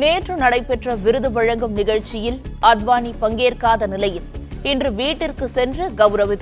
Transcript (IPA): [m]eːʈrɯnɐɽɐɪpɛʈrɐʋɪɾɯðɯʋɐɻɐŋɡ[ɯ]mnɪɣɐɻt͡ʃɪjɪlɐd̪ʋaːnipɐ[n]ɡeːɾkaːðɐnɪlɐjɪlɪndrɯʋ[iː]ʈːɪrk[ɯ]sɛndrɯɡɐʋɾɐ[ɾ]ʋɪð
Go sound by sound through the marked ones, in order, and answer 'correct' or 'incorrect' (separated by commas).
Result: incorrect, correct, incorrect, correct, correct, incorrect